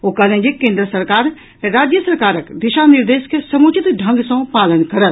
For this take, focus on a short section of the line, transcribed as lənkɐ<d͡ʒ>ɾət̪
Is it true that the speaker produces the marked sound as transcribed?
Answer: no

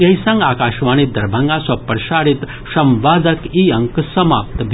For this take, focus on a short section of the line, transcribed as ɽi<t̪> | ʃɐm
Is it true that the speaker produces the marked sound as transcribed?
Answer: yes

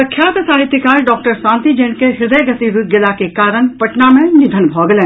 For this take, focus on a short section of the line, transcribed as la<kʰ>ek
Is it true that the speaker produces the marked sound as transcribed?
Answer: no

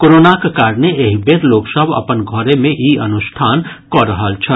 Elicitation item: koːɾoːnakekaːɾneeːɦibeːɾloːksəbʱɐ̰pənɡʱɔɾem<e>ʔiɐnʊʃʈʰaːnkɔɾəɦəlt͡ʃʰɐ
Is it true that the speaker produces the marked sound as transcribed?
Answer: no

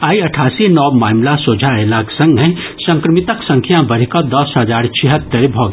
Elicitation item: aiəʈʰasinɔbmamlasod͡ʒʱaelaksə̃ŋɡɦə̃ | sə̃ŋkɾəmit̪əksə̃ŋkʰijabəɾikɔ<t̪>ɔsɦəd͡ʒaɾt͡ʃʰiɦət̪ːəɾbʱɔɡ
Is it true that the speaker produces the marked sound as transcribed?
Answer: no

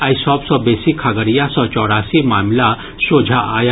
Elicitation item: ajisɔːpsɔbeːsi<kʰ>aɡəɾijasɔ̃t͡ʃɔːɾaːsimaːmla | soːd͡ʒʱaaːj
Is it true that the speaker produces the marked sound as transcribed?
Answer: yes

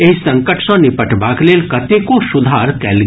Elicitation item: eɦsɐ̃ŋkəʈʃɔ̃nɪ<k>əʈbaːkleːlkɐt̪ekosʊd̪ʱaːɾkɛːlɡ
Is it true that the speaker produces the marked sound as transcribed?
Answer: no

